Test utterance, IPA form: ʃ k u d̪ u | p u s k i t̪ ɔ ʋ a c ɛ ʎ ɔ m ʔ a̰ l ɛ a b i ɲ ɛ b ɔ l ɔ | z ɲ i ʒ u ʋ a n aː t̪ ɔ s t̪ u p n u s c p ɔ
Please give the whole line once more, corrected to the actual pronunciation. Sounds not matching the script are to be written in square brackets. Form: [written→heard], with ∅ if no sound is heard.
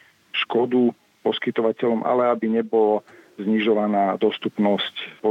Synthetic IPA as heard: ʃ k [u→ɔ] d̪ u | p [u→ɔ] s k i t̪ ɔ ʋ a c ɛ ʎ ɔ m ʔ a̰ l ɛ a b i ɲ ɛ b ɔ l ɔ | z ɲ i ʒ [u→ɔ] ʋ a n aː [t̪→d̪] ɔ s t̪ u p n [u→ɔ] s c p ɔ